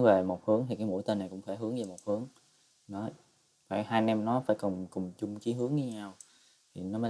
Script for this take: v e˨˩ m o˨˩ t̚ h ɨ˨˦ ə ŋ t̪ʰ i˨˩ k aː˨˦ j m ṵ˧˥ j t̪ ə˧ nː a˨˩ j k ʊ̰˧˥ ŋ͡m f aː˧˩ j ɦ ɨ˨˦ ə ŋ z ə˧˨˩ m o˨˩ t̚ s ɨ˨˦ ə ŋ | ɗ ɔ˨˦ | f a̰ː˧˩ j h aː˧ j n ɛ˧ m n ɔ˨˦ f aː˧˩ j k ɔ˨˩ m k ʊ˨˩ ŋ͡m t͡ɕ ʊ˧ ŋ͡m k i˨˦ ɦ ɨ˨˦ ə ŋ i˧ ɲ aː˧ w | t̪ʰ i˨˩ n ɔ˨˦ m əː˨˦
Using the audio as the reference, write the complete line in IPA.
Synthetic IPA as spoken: v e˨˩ m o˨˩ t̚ h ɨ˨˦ ə ŋ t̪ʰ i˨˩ k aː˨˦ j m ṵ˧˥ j t̪ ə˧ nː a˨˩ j k ʊ̰˧˥ ŋ͡m f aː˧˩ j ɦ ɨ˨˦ ə ŋ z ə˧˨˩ m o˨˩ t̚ h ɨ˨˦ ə ŋ | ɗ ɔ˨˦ | f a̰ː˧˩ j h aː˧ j n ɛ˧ m n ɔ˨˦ f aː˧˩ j k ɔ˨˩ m k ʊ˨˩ ŋ͡m t͡ɕ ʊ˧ ŋ͡m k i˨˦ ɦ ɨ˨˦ ə ŋ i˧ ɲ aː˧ w | t̪ʰ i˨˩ n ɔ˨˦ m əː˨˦

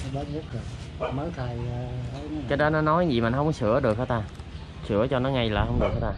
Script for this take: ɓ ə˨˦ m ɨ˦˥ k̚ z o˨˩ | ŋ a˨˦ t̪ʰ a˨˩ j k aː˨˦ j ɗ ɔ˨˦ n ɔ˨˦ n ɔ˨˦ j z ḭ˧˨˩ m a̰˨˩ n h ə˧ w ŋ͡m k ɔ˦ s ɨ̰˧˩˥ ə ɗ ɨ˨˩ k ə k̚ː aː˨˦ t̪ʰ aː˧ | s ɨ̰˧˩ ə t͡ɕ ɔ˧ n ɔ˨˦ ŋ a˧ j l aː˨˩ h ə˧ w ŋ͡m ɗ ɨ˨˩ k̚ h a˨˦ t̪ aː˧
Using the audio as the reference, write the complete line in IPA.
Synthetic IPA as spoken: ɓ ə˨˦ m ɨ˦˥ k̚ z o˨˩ | m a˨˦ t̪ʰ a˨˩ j k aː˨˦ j ɗ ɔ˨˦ n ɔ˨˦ n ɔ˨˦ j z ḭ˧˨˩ m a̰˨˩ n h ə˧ w ŋ͡m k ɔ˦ s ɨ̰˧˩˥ ə ɗ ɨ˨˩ ə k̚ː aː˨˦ t̪ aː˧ | s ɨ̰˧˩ ə t͡ɕ ɔ˧ n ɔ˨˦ ŋ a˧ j l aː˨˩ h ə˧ w ŋ͡m ɗ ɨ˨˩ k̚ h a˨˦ t̪ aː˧

